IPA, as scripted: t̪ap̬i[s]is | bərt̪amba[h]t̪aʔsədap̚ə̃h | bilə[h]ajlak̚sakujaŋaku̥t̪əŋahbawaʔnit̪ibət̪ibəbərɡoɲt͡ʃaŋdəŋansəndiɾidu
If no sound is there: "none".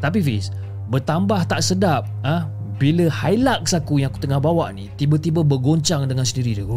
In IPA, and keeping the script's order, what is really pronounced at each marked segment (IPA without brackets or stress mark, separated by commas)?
f, h, h